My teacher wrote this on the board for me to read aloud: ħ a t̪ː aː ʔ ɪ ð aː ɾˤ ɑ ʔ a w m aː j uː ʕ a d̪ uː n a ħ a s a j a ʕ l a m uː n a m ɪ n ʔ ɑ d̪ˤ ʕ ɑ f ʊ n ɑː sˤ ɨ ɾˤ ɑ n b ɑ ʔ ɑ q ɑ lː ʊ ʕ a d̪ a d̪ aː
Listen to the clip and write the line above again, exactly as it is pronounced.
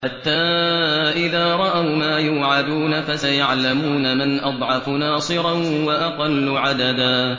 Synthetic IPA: ħ a t̪ː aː ʔ ɪ ð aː ɾˤ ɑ ʔ a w m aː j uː ʕ a d̪ uː n a f a s a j a ʕ l a m uː n a m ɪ n ʔ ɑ d̪ˤ ʕ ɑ f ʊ n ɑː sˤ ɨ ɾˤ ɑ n w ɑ ʔ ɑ q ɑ lː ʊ ʕ a d̪ a d̪ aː